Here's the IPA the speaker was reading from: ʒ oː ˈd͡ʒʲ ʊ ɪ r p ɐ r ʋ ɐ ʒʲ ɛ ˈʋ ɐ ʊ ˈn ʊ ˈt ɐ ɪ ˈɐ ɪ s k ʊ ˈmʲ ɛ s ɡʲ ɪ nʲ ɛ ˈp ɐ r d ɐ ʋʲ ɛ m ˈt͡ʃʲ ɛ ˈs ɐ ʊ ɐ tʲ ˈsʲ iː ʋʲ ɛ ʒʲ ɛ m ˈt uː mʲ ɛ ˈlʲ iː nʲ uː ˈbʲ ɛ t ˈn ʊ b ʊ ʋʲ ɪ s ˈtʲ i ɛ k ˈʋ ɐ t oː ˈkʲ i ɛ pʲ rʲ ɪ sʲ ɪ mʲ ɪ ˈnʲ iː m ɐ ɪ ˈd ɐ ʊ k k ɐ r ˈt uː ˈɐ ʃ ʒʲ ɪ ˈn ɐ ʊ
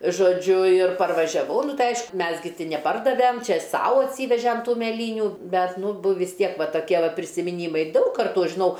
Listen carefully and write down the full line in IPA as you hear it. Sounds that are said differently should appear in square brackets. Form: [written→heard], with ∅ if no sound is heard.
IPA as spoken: ʒ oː ˈd͡ʒʲ ʊ ɪ r p ɐ r ʋ ɐ ʒʲ ɛ ˈʋ ɐ ʊ ˈn ʊ ˈt ɐ ɪ ˈɐ ɪ [s→ʃ] k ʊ ˈmʲ ɛ s ɡʲ ɪ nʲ ɛ ˈp ɐ r d ɐ ʋʲ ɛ m ˈt͡ʃʲ ɛ ˈs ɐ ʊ ɐ tʲ ˈsʲ iː ʋʲ ɛ ʒʲ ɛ m ˈt uː mʲ ɛ ˈlʲ iː nʲ uː ˈbʲ ɛ t ˈn ʊ b ʊ ʋʲ ɪ s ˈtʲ i ɛ k ˈʋ ɐ t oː ˈkʲ i ɛ pʲ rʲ ɪ sʲ ɪ mʲ ɪ ˈnʲ iː m ɐ ɪ ˈd ɐ ʊ k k ɐ r ˈt uː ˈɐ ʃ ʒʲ ɪ ˈn ɐ ʊ

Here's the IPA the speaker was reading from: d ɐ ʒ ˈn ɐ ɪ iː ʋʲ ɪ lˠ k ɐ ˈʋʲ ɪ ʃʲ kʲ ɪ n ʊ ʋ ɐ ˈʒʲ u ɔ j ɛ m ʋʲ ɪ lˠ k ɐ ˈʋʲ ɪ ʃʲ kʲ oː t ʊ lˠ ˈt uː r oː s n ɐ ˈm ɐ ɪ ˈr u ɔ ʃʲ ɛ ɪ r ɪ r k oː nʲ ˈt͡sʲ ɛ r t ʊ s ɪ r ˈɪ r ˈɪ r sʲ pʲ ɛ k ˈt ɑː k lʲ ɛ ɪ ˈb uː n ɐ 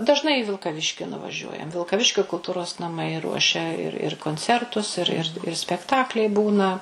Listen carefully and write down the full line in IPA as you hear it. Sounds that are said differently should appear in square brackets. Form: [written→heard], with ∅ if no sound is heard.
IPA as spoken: d ɐ ʒ ˈn ɐ ɪ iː ʋʲ ɪ lˠ k ɐ ˈʋʲ ɪ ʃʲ kʲ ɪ n ʊ ʋ ɐ ˈʒʲ u ɔ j ɛ m ʋʲ ɪ lˠ k ɐ ˈʋʲ ɪ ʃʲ kʲ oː [t→k] ʊ lˠ ˈt uː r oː s n ɐ ˈm ɐ ɪ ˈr u ɔ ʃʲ ɛ ɪ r ɪ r k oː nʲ ˈt͡sʲ ɛ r t ʊ s ɪ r ˈɪ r ˈɪ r sʲ pʲ ɛ k ˈt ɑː k lʲ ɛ ɪ ˈb uː n ɐ

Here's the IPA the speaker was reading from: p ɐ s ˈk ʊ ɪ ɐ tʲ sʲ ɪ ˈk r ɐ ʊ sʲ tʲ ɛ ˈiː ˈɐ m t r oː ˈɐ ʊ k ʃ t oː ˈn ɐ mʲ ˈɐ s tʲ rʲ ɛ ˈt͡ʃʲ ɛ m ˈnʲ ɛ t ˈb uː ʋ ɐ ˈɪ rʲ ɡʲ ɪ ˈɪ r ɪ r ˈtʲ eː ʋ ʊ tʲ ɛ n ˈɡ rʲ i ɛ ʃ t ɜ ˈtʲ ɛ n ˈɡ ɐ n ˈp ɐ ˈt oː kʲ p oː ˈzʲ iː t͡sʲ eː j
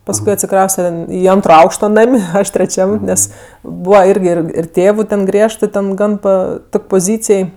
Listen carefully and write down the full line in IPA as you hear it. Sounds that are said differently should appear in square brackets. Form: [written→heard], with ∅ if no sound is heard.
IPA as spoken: p ɐ s ˈk ʊ ɪ ɐ tʲ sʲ ɪ ˈk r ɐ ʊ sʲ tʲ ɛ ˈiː ˈɐ [m→n] t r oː ˈɐ ʊ k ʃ t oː ˈn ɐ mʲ ˈɐ [s→ʃ] tʲ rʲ ɛ ˈt͡ʃʲ ɛ m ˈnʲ ɛ [t→s] ˈb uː ʋ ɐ ˈɪ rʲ ɡʲ ɪ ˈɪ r ɪ r ˈtʲ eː ʋ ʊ tʲ ɛ n ˈɡ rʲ i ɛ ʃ t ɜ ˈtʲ ɛ n ˈɡ ɐ n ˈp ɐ ˈt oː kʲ p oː ˈzʲ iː t͡sʲ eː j

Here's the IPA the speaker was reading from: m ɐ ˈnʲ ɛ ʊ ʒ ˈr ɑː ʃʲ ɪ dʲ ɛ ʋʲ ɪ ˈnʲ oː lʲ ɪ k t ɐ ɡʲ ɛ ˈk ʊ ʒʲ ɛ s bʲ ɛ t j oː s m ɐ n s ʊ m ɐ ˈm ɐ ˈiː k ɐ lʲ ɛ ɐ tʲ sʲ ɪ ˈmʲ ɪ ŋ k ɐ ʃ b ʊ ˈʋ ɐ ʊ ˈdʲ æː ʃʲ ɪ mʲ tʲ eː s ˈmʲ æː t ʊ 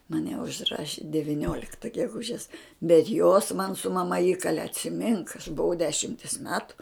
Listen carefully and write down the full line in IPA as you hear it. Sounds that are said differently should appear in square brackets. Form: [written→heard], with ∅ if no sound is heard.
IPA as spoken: m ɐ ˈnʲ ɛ ʊ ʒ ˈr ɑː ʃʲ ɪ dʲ ɛ ʋʲ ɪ ˈnʲ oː lʲ ɪ k t ɐ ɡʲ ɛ [ˈk→ˈɡ] ʊ ʒʲ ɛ s bʲ ɛ t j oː s m ɐ n s ʊ m ɐ ˈm ɐ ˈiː k ɐ lʲ ɛ ɐ tʲ sʲ ɪ ˈmʲ ɪ ŋ k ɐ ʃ b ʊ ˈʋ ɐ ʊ ˈdʲ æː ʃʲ ɪ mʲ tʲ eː s ˈmʲ æː t ʊ

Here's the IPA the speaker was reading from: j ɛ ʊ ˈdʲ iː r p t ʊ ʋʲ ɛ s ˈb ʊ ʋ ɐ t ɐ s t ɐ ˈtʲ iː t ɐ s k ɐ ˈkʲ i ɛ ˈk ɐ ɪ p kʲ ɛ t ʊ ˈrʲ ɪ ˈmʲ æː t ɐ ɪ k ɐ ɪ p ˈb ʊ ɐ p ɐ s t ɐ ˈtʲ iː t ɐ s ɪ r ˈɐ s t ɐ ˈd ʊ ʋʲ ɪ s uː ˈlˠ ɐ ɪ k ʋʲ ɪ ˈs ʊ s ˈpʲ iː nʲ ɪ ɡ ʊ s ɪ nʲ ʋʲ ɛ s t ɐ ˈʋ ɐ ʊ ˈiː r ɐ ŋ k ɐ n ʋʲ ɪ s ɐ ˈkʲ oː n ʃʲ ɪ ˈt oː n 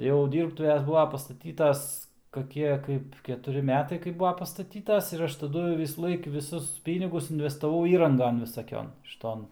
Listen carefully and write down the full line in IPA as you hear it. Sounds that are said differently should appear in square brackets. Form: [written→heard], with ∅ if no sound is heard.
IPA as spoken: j ɛ ʊ ˈdʲ iː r p t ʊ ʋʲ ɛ s ˈb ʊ ʋ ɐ [t→p] ɐ s t ɐ ˈtʲ iː t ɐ s k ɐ ˈkʲ i ɛ ˈk ɐ ɪ p kʲ ɛ t ʊ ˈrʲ ɪ ˈmʲ æː t ɐ ɪ k ɐ ɪ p ˈb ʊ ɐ p ɐ s t ɐ ˈtʲ iː t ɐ s ɪ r ˈɐ [s→ʃ] t ɐ ˈd ʊ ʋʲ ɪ s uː ˈlˠ ɐ ɪ k ʋʲ ɪ ˈs ʊ s ˈpʲ iː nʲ ɪ ɡ ʊ s ɪ nʲ ʋʲ ɛ s t ɐ ˈʋ ɐ ʊ ˈiː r ɐ ŋ [k→ɡ] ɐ n ʋʲ ɪ s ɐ ˈkʲ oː n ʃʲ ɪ ˈt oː n

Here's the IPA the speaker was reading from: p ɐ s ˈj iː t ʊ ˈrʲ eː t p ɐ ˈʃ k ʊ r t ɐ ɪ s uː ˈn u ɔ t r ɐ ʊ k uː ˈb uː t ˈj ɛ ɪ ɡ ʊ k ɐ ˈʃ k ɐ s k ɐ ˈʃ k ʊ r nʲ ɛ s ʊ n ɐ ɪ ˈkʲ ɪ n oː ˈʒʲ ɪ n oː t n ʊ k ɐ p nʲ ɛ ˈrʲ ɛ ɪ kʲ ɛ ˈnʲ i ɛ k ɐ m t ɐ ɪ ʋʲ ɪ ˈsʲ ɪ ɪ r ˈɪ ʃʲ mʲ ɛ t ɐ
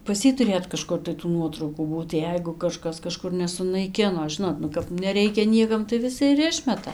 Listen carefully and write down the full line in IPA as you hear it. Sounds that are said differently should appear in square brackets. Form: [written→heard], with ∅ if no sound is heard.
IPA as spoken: p ɐ s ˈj iː t ʊ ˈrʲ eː t [p→k] ɐ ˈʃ k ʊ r t ɐ ɪ [s→t] uː ˈn u ɔ t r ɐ ʊ k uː ˈb uː t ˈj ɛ ɪ ɡ ʊ k ɐ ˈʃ k ɐ s k ɐ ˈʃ k ʊ r nʲ ɛ s ʊ n ɐ ɪ ˈkʲ ɪ n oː ˈʒʲ ɪ n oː t n ʊ k ɐ p nʲ ɛ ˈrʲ ɛ ɪ kʲ ɛ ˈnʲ i ɛ k ɐ m t ɐ ɪ ʋʲ ɪ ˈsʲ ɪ ɪ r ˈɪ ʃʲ mʲ ɛ t ɐ

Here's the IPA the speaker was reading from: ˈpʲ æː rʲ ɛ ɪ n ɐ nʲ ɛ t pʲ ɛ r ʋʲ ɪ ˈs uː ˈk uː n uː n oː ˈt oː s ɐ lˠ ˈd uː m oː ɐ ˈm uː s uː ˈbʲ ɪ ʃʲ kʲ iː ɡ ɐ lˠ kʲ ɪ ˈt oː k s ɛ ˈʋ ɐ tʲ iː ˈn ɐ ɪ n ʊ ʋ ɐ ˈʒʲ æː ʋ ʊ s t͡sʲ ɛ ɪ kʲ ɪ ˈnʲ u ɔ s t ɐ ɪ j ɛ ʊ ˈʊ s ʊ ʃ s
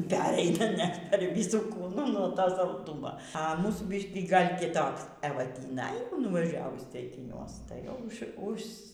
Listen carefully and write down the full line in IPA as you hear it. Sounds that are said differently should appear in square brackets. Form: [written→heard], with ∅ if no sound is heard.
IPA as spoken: ˈpʲ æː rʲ ɛ ɪ n ɐ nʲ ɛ t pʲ ɛ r ʋʲ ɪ ˈs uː ˈk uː n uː n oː ˈt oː s ɐ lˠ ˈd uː m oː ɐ ˈm uː s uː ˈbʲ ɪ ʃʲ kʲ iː ɡ ɐ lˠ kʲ ɪ ˈt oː k s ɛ ˈʋ ɐ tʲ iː ˈn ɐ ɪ n ʊ ʋ ɐ ˈʒʲ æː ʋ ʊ s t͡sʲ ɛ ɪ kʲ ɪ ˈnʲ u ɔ s t ɐ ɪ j ɛ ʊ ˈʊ [s→ʃ] ʊ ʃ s

